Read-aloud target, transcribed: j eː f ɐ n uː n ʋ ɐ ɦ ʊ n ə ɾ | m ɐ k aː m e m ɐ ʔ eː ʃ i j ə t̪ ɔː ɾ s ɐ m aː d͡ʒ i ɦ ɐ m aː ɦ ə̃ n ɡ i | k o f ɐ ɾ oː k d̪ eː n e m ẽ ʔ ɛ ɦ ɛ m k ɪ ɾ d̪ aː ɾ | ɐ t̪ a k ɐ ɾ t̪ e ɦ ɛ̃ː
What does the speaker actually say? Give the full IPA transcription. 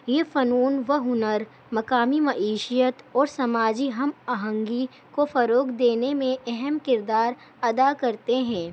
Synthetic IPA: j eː f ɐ n uː n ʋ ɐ ɦ ʊ n ə ɾ | m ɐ k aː m i m ɐ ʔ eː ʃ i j ə t̪ ɔː ɾ s ɐ m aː d͡ʒ i ɦ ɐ m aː ɦ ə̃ ŋ ɡ i | k o f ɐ ɾ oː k d̪ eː n e m ẽ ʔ ɛ ɦ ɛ m k ɪ ɾ d̪ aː ɾ | ɐ d̪ a k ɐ ɾ t̪ e ɦ ɛ̃ː